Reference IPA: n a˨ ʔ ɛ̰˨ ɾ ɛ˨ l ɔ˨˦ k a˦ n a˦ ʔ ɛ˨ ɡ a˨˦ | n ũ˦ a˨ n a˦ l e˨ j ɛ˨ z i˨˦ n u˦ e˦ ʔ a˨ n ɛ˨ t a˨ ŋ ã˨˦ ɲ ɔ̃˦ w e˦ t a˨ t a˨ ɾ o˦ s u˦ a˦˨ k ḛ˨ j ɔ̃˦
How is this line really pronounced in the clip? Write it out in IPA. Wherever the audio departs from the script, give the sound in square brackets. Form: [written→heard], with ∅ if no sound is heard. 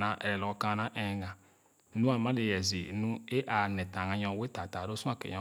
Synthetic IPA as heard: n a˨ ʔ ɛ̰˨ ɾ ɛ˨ l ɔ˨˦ k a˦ n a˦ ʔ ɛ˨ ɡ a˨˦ | n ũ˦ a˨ [n→m] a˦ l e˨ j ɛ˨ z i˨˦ n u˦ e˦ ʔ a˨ n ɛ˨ t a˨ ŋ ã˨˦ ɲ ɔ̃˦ w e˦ t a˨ t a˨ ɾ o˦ s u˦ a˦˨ k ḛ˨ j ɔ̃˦